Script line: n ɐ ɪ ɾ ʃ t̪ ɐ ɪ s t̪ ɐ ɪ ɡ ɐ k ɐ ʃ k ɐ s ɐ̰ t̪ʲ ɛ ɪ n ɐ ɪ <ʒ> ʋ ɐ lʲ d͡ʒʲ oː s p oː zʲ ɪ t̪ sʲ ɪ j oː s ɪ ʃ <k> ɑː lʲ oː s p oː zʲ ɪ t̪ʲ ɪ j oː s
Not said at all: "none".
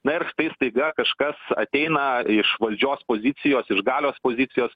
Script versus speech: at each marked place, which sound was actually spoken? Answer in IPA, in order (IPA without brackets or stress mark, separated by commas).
ʃ, ɡ